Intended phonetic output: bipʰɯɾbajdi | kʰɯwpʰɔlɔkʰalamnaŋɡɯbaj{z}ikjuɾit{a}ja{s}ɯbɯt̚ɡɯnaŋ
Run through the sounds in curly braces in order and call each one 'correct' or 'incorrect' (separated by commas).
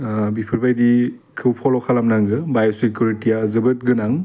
incorrect, incorrect, incorrect